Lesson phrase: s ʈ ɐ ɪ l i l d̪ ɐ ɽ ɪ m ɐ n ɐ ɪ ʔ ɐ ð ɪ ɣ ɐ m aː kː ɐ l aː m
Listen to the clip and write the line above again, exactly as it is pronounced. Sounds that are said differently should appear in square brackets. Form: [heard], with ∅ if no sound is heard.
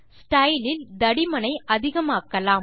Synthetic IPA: s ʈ ɐ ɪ l [ɪ] l d̪ ɐ ɽ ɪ m ɐ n ɐ ɪ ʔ ɐ ð ɪ ɣ ɐ m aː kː ɐ l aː m